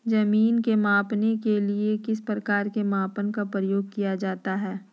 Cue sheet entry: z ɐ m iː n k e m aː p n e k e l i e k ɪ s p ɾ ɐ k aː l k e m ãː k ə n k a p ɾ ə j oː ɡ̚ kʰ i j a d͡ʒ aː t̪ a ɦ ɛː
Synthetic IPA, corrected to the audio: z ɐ m iː n k e m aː p n e k e l i e k ɪ s p ɾ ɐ k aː ɾ k e m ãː p ə n k a p ɾ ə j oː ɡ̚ k i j a d͡ʒ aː t̪ a ɦ ɛː